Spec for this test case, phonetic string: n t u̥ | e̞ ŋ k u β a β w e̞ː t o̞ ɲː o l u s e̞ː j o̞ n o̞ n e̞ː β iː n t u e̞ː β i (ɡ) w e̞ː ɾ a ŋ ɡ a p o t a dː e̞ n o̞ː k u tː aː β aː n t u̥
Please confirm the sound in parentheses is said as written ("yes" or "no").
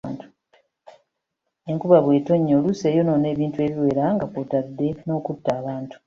no